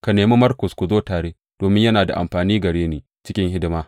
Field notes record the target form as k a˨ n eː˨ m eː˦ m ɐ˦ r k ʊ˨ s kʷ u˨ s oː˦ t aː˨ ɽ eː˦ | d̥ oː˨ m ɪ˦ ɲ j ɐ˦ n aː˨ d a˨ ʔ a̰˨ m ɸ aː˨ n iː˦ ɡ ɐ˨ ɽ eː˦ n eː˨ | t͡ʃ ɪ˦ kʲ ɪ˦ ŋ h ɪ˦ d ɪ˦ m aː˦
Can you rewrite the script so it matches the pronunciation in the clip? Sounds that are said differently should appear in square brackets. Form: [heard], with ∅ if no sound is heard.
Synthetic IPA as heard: k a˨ n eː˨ m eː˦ m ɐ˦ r k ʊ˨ s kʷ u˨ [z] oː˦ t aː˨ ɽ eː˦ | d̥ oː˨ m ɪ˦ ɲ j ɐ˦ n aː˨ d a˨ ʔ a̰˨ m ɸ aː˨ n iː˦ ɡ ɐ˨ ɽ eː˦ n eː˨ | t͡ʃ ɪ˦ kʲ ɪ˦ ŋ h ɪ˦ d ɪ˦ m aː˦